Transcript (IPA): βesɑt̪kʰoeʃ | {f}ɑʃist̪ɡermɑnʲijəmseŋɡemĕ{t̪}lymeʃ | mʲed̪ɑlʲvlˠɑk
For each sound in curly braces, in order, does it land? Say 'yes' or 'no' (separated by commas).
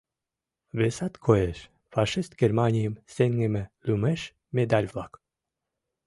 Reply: yes, no